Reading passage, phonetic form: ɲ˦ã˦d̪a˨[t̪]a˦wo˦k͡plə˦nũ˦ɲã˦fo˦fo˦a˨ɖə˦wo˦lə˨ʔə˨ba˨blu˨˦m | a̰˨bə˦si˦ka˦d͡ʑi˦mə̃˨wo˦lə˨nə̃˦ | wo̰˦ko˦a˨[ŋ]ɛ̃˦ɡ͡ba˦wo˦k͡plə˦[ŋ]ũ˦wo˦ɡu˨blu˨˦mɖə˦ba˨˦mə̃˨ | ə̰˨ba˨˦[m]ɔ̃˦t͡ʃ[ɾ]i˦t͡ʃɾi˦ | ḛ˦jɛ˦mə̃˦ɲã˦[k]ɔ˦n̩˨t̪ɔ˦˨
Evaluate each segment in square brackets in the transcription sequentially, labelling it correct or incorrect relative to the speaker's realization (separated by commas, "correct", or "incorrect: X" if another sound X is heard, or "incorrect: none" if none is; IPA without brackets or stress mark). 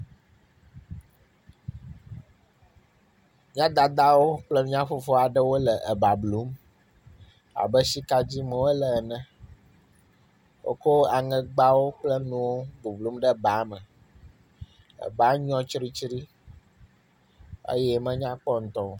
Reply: incorrect: d̪, correct, incorrect: n, incorrect: ɲ, correct, incorrect: k͡p